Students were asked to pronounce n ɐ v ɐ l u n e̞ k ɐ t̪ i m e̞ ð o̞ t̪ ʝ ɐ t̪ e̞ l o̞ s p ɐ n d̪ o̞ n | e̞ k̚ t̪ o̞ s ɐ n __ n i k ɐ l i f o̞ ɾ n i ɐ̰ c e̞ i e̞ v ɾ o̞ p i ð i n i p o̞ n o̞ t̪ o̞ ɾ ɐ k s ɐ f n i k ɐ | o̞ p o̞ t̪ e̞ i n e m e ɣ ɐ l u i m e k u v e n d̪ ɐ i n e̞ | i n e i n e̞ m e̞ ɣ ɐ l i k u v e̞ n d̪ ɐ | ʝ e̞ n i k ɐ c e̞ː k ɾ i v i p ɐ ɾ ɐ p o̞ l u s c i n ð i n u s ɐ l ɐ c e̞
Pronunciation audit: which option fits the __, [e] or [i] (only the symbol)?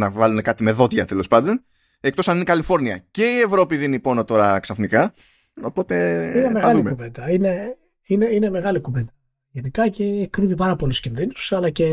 i